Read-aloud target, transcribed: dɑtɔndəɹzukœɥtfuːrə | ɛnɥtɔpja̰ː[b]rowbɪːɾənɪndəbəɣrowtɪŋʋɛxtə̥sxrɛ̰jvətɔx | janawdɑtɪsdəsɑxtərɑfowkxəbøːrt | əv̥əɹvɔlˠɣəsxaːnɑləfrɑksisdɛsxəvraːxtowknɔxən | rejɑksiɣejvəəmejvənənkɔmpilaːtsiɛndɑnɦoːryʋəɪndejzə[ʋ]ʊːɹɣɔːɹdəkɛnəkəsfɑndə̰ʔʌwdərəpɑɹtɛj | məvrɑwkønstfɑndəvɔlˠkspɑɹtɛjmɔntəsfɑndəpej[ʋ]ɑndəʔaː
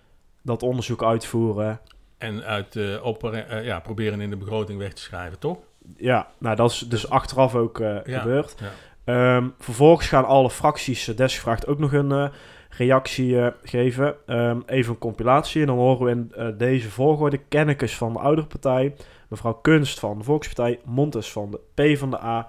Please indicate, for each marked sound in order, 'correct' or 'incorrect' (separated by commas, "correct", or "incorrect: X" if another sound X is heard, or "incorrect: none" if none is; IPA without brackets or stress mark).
incorrect: p, incorrect: v, incorrect: v